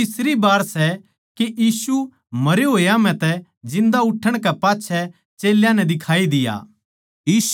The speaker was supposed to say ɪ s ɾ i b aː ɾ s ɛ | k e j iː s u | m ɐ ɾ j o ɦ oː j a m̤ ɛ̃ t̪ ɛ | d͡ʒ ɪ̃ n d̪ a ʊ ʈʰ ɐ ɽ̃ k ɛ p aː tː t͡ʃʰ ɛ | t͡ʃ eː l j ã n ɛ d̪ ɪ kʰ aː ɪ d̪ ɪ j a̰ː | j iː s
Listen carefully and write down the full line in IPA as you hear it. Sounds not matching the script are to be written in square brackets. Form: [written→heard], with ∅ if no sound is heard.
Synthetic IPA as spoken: ɪ s ɾ i b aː ɾ s ɛ | k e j iː s u | m ɐ ɾ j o ɦ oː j a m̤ ɛ̃ t̪ ɛ | d͡ʒ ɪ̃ n d̪ a ʊ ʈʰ [ɐ→ə] ɽ̃ k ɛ p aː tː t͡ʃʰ ɛ | t͡ʃ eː l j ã n ɛ d̪ ɪ kʰ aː [ɪ→i] d̪ ɪ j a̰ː | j iː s